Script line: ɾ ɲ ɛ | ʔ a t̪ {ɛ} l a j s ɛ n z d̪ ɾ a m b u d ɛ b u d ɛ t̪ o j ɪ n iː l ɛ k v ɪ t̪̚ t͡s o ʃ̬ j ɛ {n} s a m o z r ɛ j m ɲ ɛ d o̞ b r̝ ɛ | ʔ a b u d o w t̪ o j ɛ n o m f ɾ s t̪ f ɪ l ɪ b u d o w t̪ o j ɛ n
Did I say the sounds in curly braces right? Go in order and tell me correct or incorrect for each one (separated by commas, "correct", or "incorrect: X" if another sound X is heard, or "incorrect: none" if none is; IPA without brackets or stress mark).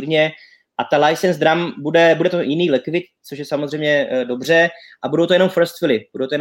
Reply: incorrect: a, incorrect: none